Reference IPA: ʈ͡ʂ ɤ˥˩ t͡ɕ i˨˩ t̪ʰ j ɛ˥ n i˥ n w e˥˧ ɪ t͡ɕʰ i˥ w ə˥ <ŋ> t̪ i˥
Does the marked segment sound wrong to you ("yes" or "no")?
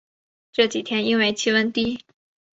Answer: yes